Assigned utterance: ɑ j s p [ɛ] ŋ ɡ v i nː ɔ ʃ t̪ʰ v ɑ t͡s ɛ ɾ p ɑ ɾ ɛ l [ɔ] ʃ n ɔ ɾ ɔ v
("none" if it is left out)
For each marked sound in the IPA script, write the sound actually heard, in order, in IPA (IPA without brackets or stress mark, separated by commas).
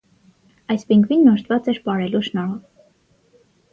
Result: i, u